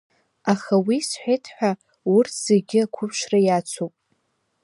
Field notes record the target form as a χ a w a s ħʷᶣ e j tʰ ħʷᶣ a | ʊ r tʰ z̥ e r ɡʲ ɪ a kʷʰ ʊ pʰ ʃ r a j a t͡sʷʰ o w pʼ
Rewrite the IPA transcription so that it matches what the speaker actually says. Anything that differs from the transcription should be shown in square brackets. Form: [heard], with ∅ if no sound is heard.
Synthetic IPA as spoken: a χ a w [i] s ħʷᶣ e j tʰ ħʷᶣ a | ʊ r tʰ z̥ e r ɡʲ ɪ a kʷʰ ʊ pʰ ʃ r a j a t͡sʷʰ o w pʼ